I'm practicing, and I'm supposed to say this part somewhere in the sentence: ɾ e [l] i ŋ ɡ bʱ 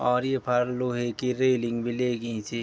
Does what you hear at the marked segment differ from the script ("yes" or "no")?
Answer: no